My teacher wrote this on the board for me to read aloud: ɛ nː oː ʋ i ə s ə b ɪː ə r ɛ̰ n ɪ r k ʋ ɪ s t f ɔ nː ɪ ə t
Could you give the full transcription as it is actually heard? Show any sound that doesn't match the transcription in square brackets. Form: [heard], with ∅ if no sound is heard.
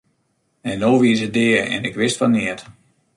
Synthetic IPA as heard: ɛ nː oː ʋ i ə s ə [d] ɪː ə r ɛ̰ n ɪ [∅] k ʋ ɪ s t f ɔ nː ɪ ə t